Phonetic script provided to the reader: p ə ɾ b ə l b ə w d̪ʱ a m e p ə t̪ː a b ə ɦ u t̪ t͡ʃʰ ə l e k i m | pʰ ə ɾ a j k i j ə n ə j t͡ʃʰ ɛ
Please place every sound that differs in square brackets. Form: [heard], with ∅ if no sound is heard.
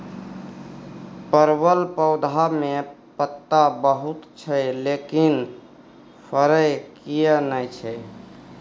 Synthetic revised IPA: p ə ɾ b ə l [p] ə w d̪ʱ a m e p ə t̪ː a b ə ɦ u t̪ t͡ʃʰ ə l e k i [n] | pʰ ə ɾ [ə] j k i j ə n ə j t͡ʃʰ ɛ